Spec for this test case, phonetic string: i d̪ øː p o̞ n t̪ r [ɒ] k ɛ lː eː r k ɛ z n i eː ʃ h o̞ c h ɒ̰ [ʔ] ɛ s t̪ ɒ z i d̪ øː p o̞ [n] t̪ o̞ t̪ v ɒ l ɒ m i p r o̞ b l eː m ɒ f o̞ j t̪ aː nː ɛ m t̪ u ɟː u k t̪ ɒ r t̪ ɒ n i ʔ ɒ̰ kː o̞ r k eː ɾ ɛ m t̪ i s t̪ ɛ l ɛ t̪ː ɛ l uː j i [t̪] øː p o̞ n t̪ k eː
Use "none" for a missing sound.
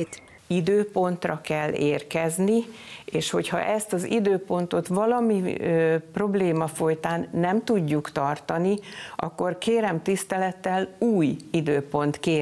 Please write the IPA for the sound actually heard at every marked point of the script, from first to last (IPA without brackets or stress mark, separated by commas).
ɒ, ʔ, n, d̪